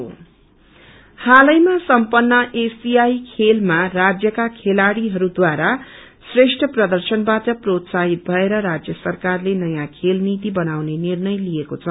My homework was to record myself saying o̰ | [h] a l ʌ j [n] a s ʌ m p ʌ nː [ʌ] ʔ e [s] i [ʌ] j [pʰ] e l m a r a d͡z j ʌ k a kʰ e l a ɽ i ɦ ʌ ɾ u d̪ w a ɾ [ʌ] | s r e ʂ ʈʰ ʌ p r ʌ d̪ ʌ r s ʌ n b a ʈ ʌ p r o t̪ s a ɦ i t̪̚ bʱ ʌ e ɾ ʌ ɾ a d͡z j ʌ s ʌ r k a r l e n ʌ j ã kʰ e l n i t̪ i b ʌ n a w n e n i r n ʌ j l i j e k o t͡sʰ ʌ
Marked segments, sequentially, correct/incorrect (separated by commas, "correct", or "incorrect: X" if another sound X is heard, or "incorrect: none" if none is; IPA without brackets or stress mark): correct, incorrect: m, correct, correct, incorrect: a, incorrect: kʰ, incorrect: a